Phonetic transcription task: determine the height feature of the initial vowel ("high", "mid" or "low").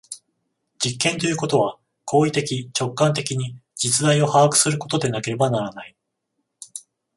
high